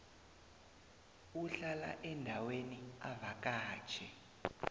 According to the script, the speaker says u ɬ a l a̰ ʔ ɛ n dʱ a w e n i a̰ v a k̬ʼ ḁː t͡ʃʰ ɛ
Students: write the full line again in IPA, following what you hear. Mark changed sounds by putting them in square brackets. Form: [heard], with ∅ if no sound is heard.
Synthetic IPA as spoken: u ɬ a l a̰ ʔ ɛ n dʱ a w e n i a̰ v a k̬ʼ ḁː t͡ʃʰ ɛ